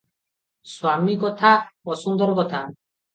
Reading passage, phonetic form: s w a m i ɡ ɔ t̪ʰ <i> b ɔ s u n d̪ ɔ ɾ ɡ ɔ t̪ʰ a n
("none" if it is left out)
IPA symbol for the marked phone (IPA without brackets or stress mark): a